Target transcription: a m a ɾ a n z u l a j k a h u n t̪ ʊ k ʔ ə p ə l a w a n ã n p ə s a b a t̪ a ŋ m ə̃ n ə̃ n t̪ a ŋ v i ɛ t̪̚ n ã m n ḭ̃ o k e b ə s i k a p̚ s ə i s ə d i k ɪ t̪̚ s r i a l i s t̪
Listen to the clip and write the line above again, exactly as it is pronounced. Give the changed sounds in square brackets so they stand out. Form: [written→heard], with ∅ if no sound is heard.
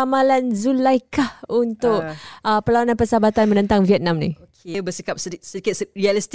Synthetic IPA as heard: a m a [ɾ→l] a n z u l a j k a h u n t̪ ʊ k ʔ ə p ə l a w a n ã n p ə s a b a t̪ a [ŋ→n] m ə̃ n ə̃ n t̪ a ŋ v i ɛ t̪̚ n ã m n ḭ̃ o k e b ə s i k a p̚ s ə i s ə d i k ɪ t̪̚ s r i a l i s t̪